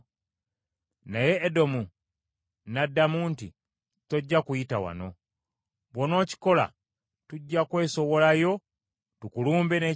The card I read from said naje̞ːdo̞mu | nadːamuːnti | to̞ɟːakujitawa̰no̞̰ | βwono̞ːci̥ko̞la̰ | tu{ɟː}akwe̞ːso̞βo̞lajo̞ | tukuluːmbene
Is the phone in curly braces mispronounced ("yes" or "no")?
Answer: no